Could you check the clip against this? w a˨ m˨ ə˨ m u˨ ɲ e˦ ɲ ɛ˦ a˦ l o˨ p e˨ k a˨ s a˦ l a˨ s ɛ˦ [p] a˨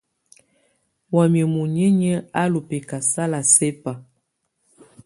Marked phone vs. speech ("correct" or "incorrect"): correct